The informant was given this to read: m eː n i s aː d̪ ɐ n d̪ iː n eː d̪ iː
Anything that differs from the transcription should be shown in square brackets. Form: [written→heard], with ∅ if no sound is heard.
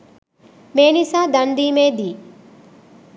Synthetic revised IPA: m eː n i s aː d̪ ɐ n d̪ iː [n→m] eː d̪ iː